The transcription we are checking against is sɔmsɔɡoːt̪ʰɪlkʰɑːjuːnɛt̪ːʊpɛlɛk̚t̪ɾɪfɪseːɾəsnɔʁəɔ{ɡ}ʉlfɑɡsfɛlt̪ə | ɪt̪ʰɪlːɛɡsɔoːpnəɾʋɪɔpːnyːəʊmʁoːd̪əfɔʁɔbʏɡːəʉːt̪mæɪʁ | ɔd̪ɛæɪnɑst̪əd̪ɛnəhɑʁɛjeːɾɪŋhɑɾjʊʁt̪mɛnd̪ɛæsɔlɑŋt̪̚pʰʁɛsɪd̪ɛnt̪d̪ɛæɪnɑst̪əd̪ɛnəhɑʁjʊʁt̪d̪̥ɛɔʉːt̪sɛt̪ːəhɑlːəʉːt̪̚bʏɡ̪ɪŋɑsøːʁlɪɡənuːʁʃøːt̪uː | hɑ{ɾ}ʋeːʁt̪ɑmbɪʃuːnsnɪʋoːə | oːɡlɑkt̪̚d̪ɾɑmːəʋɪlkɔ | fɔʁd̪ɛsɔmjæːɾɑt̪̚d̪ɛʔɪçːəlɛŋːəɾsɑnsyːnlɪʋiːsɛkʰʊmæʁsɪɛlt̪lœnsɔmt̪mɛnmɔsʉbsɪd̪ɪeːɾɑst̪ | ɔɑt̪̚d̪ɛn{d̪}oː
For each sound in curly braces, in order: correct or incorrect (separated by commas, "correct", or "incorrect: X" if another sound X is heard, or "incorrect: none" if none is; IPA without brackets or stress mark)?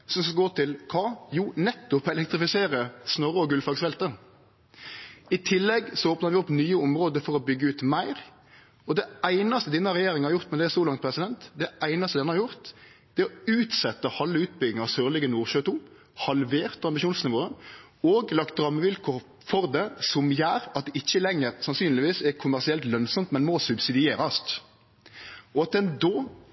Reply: correct, incorrect: l, correct